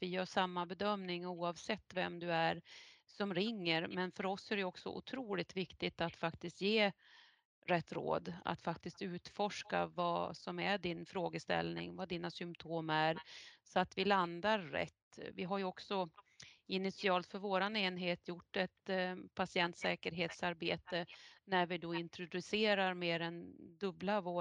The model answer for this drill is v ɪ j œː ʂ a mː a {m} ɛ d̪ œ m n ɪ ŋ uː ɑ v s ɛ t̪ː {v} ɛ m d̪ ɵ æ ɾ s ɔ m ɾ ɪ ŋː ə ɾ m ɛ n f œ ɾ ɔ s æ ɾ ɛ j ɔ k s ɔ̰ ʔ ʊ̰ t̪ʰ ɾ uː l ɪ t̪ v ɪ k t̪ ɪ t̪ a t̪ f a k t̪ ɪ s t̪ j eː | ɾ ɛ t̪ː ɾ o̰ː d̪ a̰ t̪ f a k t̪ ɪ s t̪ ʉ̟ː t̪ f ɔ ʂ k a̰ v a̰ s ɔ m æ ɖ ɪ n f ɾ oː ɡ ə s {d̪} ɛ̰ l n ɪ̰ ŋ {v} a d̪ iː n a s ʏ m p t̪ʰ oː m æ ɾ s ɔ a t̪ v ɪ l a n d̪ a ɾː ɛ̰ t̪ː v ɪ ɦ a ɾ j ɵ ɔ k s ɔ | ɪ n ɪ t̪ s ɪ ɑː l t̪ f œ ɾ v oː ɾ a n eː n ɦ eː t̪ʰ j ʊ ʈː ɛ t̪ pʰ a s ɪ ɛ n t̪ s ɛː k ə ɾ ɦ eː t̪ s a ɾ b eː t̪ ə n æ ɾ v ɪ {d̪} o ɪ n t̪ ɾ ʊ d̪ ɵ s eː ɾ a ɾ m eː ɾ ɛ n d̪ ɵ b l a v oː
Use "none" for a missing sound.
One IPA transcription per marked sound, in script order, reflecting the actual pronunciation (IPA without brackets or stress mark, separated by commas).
b, v, t̪, v, d̪